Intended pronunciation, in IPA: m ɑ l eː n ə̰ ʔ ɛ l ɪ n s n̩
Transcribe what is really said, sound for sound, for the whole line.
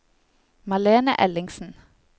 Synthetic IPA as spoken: m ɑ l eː n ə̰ ʔ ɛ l ɪ ŋ s n̩